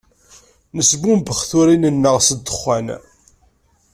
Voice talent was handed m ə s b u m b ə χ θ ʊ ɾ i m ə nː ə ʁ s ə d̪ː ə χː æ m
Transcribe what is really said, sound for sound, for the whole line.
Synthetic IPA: n ə s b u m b ə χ θ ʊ ɾ i n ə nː ə ʁ s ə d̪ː ə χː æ n